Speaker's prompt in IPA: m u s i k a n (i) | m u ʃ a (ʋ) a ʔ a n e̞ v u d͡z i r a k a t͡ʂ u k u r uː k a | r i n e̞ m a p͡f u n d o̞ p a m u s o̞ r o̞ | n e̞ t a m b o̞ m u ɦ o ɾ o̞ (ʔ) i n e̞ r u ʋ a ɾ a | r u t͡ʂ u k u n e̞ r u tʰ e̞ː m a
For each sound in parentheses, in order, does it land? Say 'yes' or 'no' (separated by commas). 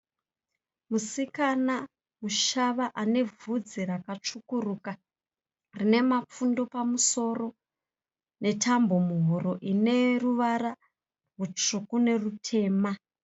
no, yes, yes